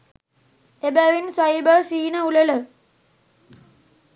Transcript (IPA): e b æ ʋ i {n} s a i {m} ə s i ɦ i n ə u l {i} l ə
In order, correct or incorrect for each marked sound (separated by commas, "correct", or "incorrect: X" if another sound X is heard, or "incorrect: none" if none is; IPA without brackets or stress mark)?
correct, incorrect: b, incorrect: e